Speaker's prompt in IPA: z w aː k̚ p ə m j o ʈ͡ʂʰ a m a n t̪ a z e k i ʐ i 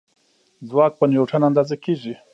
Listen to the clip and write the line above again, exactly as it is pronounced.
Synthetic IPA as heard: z w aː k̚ p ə n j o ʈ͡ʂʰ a n a n d̪ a z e k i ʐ i